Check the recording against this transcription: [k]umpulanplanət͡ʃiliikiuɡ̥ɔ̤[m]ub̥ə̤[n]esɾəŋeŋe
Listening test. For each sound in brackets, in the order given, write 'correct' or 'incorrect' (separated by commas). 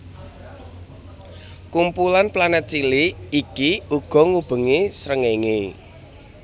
correct, incorrect, incorrect